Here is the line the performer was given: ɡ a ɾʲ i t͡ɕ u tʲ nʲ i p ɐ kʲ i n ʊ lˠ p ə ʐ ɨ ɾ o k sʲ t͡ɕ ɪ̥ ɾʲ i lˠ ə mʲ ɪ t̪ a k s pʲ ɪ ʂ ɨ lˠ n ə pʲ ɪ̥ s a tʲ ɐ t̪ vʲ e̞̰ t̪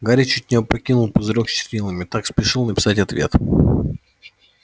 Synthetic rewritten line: ɡ a ɾʲ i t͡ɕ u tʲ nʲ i p ɐ kʲ i n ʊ lˠ p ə z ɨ ɾ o k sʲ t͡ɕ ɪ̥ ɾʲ i lˠ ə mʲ ɪ t̪ a k s pʲ ɪ ʂ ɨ lˠ n ə pʲ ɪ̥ s a tʲ ɐ t̪ vʲ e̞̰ t̪